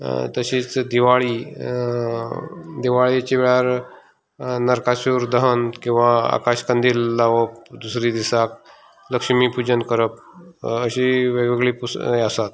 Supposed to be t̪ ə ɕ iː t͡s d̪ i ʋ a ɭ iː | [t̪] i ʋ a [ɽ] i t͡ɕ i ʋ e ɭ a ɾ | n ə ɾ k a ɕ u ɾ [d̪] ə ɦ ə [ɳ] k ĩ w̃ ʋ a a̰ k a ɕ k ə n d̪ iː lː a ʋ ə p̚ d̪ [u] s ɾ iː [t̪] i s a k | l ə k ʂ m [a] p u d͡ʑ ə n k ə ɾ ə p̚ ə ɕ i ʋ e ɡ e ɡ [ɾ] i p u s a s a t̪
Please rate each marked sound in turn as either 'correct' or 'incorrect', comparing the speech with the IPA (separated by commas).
incorrect, incorrect, correct, incorrect, correct, incorrect, incorrect, incorrect